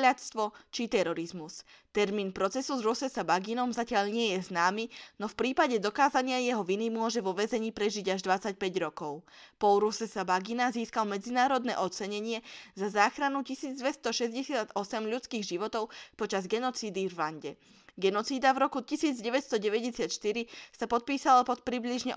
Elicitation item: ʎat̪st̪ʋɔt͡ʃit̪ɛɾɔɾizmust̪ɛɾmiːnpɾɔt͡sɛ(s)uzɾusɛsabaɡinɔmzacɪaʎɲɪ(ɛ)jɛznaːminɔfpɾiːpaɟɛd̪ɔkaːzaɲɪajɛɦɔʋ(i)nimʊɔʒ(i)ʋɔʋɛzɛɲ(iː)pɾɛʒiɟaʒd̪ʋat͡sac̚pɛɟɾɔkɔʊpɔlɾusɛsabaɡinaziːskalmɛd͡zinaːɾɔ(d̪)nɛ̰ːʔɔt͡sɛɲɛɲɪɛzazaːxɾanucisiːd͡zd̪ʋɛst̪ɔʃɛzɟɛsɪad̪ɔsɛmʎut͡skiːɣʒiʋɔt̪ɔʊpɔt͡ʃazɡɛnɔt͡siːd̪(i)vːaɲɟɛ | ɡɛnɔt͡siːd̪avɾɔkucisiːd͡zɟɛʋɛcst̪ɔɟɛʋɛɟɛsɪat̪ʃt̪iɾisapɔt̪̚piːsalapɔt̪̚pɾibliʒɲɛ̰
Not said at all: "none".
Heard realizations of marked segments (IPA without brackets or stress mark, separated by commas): s, ɛ, i, ɛ, iː, d̪, i